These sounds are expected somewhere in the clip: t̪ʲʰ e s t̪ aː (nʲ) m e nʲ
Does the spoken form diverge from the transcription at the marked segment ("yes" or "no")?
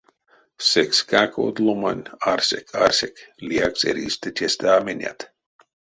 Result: yes